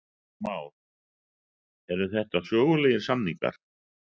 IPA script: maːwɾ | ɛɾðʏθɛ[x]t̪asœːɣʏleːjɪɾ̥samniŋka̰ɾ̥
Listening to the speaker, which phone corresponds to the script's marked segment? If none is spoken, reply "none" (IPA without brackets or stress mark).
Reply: h